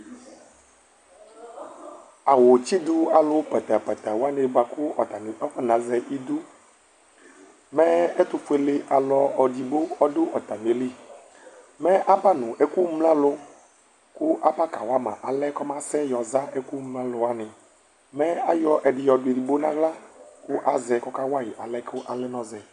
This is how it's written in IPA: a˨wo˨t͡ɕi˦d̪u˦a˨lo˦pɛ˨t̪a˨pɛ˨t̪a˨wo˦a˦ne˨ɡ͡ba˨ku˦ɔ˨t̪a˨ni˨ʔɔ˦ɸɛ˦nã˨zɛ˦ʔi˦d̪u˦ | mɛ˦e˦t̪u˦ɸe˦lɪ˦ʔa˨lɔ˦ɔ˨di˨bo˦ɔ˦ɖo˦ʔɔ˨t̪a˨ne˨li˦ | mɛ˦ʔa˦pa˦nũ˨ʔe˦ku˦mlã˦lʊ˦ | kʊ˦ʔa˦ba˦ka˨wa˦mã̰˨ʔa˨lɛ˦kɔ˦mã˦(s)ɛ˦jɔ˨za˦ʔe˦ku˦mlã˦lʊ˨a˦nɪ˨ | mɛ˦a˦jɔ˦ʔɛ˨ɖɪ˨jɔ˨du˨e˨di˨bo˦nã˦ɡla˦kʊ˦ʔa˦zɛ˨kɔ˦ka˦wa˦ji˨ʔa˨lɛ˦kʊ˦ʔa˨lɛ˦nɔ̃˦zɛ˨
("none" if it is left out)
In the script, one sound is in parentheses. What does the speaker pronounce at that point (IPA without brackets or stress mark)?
s